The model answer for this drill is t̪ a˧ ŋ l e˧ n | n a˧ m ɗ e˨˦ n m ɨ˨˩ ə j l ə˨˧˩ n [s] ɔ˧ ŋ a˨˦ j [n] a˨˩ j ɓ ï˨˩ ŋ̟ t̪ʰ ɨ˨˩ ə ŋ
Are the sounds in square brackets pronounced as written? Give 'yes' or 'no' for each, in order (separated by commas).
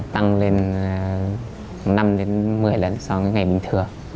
yes, no